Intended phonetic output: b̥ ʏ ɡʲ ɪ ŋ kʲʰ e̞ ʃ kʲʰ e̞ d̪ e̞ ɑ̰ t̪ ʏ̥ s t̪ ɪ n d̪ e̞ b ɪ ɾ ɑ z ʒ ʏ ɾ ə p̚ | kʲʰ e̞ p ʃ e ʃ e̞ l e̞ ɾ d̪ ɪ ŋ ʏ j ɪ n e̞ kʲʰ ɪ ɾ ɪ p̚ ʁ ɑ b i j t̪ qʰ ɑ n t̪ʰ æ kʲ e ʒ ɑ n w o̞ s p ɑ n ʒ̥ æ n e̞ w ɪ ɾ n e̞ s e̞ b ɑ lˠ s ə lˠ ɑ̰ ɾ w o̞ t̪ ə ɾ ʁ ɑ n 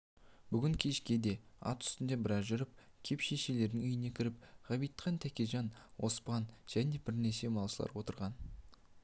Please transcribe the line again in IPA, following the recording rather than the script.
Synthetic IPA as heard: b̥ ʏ ɡʲ ɪ ŋ kʲʰ e̞ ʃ kʲ e̞ d̪ e̞ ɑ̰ t̪ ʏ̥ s t̪ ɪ n d̪ e̞ b ɪ ɾ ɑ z ʒ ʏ ɾ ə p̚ | kʲʰ e̞ p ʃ e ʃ e̞ l e̞ ɾ d̪ ɪ ŋ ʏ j ɪ n e̞ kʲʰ ɪ ɾ ɪ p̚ ʁ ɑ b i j t̪ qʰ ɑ n t̪ʰ æ kʲ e ʒ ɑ n w o̞ s p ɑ n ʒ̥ æ n e̞ b ɪ ɾ n e̞ s e̞ m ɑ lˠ s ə lˠ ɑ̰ ɾ w o̞ t̪ ə ɾ ʁ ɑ n